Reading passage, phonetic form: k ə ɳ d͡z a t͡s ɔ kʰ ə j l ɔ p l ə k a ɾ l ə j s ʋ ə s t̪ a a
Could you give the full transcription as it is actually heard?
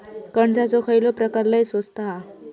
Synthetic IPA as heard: k ə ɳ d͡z a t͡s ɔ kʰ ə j l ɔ p ɾ ə k a ɾ l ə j s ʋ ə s t̪ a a